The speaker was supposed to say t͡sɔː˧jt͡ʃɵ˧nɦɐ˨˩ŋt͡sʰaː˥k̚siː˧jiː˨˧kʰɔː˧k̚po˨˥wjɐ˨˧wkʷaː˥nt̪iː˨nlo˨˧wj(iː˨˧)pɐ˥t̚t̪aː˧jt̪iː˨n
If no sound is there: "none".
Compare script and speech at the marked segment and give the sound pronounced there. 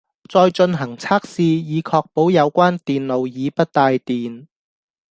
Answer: iː˨˧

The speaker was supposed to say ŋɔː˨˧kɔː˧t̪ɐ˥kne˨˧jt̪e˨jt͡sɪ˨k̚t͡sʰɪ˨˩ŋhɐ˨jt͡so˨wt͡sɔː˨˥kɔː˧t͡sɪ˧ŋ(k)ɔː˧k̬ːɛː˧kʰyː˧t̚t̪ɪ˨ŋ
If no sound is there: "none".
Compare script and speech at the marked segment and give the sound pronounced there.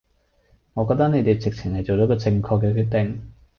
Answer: kʰ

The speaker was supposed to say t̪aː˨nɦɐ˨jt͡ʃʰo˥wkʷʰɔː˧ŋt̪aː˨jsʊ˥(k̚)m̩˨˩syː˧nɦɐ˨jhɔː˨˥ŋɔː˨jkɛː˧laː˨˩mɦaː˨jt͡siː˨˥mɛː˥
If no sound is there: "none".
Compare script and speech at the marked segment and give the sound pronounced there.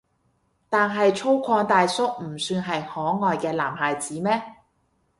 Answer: k̚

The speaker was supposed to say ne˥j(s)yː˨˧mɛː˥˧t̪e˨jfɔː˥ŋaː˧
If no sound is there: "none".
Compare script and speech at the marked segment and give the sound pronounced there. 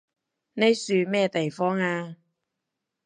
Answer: s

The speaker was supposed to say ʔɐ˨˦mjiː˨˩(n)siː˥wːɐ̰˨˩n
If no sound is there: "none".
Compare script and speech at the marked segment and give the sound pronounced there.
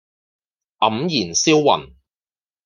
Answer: n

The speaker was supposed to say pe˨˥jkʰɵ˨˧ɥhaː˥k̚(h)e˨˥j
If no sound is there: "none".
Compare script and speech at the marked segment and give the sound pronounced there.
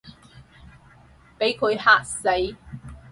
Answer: s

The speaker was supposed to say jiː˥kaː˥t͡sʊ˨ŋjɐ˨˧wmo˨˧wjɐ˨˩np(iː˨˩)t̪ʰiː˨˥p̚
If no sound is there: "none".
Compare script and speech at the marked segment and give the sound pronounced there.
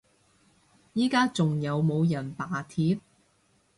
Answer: aː˨˩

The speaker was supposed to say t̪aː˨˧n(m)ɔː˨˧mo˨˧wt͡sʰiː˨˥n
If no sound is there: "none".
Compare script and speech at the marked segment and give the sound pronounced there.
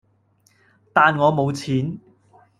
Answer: ŋ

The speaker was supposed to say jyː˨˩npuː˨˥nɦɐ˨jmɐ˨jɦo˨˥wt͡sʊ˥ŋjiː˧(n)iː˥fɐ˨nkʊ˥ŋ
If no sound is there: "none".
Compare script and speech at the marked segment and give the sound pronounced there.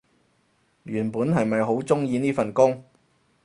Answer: n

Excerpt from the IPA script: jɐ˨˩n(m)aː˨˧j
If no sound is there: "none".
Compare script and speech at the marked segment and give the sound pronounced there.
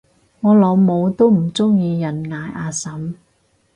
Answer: ŋ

